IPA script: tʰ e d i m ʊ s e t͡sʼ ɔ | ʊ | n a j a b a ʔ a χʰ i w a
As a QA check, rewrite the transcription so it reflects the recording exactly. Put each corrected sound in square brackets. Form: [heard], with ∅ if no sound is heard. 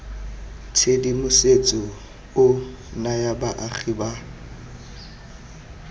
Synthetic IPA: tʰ e d i m ʊ s e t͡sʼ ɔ | ʊ | n a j a b a ʔ a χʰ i [b] a

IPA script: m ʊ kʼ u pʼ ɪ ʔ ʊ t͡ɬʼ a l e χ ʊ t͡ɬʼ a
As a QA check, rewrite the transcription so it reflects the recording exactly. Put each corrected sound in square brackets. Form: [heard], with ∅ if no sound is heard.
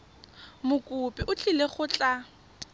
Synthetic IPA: m ʊ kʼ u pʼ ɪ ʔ ʊ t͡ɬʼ [i] l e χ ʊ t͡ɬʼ a

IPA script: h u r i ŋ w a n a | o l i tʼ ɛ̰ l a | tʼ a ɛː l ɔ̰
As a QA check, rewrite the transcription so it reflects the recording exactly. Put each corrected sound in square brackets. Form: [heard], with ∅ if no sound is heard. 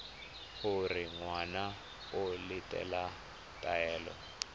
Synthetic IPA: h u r i ŋ w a n a | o l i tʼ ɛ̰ l a | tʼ a ɛː l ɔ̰

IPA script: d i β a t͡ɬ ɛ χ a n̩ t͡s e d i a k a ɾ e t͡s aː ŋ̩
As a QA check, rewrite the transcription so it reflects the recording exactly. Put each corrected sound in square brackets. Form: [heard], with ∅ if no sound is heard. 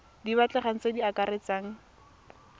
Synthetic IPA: d i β a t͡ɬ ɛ χ a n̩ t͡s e d i a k a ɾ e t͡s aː ŋ̩

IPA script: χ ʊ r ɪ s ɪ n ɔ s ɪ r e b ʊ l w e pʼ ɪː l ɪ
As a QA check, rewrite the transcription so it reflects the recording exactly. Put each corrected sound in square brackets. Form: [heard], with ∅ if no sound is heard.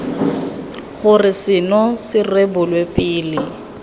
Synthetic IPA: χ ʊ r ɪ s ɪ n ɔ s ɪ r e b ʊ l w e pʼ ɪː l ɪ

